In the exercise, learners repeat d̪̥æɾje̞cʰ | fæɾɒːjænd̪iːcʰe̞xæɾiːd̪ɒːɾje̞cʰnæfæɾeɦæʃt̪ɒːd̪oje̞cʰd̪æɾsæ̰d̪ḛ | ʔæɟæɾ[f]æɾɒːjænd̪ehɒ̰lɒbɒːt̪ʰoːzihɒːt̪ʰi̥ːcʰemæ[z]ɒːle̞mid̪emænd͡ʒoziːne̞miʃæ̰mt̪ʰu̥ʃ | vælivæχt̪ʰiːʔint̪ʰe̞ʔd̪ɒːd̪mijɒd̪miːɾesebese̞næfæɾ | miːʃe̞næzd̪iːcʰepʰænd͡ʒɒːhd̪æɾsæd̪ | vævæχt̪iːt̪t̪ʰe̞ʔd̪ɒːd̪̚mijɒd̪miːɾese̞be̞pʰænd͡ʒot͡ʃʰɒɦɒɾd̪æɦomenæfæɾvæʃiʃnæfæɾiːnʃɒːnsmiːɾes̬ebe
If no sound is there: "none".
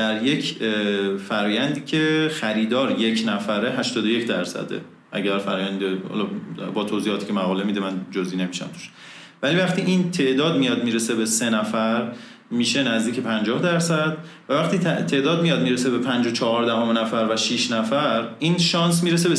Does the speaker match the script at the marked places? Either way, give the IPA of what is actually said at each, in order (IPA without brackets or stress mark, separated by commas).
f, ɣ